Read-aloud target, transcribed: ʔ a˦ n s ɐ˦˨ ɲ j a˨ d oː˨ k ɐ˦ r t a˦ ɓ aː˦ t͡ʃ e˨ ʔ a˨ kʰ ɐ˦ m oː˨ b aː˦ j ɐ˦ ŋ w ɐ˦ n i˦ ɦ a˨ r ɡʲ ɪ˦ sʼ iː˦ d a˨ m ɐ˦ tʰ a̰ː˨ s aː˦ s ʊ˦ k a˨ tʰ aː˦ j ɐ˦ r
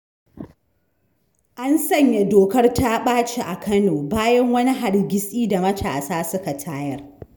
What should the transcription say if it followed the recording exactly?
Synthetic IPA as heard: ʔ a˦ n s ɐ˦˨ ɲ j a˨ d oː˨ k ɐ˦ r t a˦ ɓ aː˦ t͡ʃ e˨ ʔ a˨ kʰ ɐ˦ n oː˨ b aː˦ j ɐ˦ ŋ w ɐ˦ n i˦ ɦ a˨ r ɡʲ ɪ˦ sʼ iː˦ d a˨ m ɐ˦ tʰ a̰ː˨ s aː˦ s ʊ˦ k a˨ tʰ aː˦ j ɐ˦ r